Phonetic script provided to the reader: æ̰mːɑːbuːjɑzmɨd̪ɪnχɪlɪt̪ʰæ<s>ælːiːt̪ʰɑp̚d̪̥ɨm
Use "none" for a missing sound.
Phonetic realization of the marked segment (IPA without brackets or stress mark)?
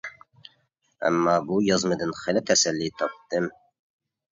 s